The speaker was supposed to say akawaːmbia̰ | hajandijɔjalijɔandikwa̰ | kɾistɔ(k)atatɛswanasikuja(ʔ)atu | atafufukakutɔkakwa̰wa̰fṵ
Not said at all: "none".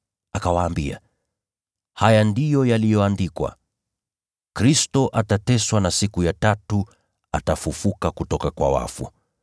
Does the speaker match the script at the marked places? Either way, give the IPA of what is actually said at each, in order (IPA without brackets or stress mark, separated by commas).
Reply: ʔ, t